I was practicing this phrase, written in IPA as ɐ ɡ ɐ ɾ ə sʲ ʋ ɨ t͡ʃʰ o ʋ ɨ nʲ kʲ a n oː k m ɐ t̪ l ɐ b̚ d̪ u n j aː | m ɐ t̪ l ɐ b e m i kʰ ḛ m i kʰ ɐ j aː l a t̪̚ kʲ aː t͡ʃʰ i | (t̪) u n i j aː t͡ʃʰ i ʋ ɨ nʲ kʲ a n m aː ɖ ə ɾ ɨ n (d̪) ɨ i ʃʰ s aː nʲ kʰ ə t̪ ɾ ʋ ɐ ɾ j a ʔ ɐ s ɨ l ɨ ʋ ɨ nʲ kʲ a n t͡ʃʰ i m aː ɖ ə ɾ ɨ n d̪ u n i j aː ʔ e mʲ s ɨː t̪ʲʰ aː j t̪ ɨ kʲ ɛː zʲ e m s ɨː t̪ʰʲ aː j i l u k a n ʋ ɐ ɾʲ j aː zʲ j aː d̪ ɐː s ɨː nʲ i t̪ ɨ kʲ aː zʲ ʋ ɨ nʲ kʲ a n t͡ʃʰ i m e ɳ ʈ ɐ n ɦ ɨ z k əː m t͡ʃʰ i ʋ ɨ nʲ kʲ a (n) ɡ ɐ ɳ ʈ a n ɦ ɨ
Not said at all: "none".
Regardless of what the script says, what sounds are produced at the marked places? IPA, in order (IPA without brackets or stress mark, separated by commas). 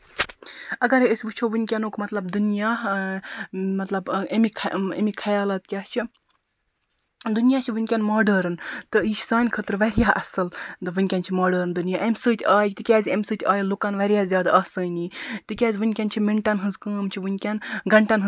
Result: d̪, t̪, n